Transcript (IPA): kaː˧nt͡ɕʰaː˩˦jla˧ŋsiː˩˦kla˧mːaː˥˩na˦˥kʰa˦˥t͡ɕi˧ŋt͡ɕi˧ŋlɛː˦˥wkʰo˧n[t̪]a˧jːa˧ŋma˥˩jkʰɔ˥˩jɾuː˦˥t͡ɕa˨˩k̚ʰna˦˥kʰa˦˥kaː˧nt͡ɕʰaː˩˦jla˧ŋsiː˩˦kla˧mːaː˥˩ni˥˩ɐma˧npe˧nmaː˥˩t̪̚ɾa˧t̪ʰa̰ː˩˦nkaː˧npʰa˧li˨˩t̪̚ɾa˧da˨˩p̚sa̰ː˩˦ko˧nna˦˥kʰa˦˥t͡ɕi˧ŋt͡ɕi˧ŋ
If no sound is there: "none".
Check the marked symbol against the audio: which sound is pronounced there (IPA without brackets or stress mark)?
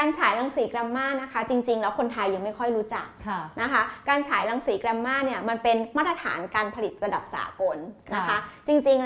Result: t̪ʰ